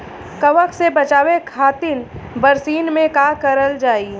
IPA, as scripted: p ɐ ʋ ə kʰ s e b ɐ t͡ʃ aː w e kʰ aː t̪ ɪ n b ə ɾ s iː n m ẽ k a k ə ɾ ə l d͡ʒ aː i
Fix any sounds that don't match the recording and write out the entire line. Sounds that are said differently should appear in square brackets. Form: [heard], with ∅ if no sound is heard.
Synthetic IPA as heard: [k] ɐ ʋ ə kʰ s e b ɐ t͡ʃ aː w e kʰ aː t̪ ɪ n b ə ɾ s iː n m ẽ k a k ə ɾ ə l d͡ʒ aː i